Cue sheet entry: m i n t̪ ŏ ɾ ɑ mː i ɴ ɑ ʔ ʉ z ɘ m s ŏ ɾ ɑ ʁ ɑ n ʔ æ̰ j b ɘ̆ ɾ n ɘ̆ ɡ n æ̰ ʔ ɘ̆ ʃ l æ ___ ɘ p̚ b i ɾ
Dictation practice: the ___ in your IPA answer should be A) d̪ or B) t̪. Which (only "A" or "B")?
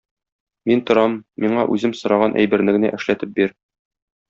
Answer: B